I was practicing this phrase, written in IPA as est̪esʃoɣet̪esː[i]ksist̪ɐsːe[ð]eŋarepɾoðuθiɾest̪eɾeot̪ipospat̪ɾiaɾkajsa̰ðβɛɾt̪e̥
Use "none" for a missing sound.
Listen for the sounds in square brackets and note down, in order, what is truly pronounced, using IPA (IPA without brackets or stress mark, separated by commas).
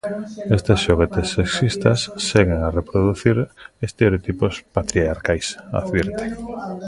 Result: e, ɣ